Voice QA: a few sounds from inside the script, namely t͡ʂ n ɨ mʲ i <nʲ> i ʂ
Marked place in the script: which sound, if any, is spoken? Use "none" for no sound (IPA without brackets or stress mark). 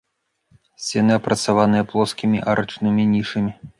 nʲ